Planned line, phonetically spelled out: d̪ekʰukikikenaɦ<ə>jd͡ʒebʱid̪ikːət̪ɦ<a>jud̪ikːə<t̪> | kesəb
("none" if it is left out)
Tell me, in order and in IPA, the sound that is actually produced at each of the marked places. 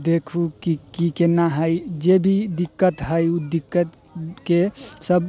ə, ə, t̪

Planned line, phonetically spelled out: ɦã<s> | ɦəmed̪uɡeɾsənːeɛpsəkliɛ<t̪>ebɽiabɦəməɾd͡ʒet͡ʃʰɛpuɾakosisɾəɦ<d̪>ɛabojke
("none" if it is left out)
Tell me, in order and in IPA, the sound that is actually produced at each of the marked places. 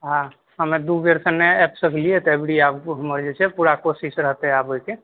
none, t̪, t̪

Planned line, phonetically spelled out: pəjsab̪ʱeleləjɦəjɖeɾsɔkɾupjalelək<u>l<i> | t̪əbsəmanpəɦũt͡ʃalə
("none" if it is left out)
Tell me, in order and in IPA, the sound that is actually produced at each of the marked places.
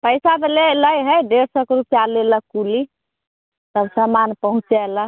u, i

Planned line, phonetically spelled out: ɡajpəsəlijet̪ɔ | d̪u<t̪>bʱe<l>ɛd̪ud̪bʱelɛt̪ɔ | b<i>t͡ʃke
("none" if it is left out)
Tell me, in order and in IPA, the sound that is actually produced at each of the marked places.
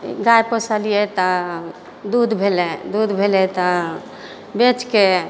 d̪, l, e

